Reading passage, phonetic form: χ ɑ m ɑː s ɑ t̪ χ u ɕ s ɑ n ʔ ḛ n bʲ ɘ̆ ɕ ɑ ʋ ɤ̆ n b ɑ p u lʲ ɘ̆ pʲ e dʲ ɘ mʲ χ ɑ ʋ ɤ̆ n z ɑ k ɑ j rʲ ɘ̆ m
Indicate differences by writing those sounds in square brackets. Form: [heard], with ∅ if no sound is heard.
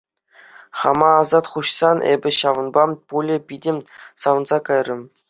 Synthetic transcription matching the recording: χ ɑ m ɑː [z] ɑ t̪ χ u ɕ s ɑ n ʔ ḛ [∅] bʲ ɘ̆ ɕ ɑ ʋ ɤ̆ n b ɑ p u lʲ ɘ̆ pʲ [i] dʲ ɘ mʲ [s] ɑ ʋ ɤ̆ n z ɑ k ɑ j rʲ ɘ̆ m